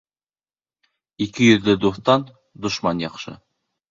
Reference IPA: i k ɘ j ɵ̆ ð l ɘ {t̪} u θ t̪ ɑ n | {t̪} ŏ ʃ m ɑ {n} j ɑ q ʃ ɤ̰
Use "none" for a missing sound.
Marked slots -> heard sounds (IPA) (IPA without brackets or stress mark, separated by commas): d̪, d̪, n